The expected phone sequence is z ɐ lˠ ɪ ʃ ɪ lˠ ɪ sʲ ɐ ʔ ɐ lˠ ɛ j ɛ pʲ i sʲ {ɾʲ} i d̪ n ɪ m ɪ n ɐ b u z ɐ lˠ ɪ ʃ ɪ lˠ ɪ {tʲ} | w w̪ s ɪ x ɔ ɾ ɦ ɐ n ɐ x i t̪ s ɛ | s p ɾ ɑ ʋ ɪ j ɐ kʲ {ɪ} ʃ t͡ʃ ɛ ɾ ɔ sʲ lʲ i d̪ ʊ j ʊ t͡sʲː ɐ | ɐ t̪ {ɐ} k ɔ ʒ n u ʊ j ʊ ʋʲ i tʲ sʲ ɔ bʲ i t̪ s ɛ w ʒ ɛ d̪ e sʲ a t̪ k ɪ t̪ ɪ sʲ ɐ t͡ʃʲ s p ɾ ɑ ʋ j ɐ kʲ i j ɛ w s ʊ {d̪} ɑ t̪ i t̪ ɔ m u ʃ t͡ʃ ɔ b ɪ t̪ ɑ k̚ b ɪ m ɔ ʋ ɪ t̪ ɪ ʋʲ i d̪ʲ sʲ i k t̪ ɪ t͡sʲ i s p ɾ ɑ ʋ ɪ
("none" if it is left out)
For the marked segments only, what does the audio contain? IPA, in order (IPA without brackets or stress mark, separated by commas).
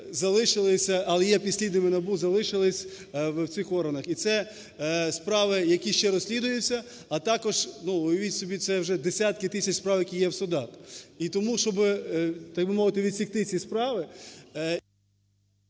lʲ, sʲ, i, ɑ, d̪